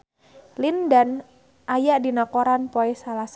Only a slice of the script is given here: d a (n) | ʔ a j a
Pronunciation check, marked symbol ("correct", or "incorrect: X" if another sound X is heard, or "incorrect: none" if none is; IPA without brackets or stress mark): correct